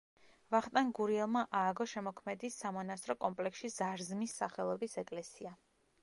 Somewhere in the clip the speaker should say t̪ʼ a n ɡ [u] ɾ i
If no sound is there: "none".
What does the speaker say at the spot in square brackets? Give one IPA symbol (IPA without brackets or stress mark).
u